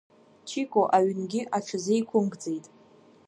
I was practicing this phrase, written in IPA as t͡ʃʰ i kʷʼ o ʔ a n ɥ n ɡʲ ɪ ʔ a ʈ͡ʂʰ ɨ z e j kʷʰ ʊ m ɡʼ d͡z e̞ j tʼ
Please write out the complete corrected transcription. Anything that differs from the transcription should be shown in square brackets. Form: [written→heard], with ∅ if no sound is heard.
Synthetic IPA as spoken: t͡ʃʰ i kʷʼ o ʔ a [n→∅] ɥ n ɡʲ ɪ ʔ a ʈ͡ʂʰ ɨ z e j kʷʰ ʊ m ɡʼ d͡z e̞ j tʼ